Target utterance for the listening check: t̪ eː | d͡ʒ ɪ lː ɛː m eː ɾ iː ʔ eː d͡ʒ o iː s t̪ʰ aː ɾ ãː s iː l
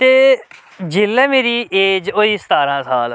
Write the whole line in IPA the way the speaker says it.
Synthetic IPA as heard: t̪ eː | d͡ʒ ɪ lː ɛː m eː ɾ iː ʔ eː d͡ʒ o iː s t̪ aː ɾ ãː s aː l